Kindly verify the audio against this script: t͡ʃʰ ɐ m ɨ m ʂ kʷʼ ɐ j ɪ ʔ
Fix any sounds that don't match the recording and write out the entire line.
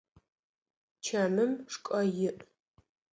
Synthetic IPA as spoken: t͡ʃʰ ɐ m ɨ m ʂ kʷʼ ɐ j ɪ ʔ